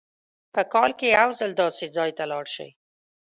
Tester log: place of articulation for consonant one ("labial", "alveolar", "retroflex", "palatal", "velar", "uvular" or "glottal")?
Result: labial